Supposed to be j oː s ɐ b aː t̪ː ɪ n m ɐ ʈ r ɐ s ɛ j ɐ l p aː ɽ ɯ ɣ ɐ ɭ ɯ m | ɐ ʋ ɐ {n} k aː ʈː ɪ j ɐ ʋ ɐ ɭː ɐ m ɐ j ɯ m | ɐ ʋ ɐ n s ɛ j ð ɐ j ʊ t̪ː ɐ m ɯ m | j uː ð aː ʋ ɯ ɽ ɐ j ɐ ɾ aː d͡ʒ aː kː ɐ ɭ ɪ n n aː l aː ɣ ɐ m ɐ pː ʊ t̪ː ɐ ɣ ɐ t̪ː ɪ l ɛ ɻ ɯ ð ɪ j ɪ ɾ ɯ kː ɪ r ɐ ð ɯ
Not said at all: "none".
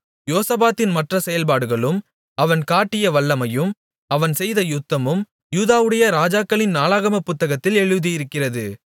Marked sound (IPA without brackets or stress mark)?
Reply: n